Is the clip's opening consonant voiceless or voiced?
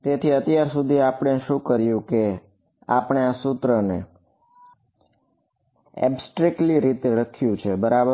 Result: voiceless